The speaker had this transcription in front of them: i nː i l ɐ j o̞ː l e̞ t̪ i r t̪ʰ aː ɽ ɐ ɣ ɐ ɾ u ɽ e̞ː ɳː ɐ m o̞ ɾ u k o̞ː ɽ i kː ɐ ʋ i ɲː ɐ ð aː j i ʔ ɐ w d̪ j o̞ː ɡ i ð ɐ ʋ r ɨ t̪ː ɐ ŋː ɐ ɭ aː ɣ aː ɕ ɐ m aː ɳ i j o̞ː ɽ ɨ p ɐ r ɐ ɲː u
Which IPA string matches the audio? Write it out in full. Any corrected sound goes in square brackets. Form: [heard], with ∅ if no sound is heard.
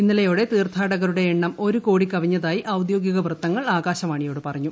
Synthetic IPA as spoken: i nː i l ɐ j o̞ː [ɽ] e̞ t̪ [iː] r t̪ʰ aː ɽ ɐ ɣ ɐ ɾ u ɽ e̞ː ɳː ɐ m o̞ ɾ u k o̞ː ɽ i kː ɐ ʋ i ɲː ɐ ð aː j i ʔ ɐ w d̪ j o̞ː ɡ i [ɣ] ɐ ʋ r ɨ t̪ː ɐ ŋː ɐ ɭ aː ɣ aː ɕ ɐ m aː ɳ i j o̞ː ɽ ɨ p ɐ r ɐ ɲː u